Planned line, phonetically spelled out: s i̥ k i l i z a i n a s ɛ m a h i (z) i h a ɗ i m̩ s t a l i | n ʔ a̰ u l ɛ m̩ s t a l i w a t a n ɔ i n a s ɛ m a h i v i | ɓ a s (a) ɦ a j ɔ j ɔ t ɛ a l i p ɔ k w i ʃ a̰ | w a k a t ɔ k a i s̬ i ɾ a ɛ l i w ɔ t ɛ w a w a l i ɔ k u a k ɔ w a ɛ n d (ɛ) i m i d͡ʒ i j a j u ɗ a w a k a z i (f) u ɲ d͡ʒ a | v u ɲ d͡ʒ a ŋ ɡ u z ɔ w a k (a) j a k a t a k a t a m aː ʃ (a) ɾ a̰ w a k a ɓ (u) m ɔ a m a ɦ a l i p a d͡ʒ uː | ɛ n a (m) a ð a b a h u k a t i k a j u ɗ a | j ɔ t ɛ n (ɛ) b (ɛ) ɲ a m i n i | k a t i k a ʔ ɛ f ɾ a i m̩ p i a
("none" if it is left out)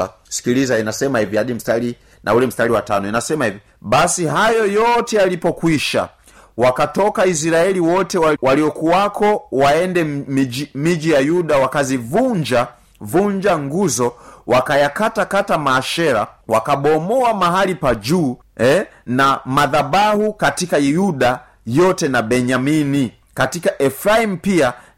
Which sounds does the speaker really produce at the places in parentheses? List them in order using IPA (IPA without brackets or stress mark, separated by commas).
v, i, ɛ, v, a, ɛ, ɔ, m, a, ɛ